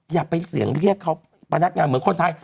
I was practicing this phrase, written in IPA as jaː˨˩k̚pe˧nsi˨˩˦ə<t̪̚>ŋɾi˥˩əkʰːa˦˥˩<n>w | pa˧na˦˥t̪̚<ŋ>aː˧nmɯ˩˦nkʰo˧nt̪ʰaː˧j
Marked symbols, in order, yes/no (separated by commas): no, no, yes